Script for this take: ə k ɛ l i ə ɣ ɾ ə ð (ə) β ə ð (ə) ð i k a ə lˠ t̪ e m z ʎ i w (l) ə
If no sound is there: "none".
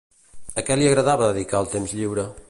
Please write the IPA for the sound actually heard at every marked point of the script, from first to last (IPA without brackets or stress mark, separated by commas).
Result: a, ə, ɾ